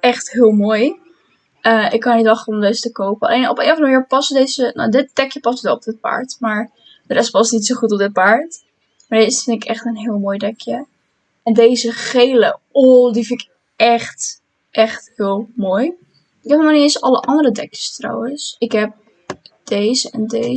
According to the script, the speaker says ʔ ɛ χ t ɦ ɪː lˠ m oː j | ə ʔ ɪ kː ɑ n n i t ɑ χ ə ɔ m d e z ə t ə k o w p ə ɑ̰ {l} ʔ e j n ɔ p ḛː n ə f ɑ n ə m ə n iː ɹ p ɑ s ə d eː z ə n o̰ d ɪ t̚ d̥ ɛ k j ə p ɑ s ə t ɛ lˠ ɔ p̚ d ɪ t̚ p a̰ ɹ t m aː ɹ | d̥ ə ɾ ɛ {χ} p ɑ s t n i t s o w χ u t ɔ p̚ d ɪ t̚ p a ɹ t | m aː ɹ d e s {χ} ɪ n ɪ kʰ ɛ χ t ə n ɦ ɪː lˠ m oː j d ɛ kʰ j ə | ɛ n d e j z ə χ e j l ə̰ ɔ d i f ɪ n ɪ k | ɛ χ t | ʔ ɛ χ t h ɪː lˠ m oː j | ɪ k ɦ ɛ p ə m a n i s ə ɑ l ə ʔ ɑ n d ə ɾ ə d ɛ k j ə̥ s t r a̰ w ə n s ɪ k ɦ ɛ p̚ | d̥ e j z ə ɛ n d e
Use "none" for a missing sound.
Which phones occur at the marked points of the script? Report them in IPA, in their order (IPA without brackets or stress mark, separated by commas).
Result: l, s, f